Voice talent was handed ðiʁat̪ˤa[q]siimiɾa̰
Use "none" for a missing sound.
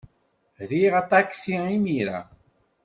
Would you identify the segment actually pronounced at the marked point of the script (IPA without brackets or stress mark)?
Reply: k